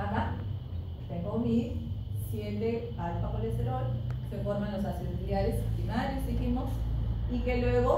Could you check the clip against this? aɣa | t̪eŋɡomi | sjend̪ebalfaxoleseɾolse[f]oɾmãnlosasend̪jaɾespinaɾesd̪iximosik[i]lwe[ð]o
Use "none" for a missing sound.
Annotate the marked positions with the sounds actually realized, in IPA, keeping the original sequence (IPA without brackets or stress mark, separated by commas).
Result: f, e, ɣ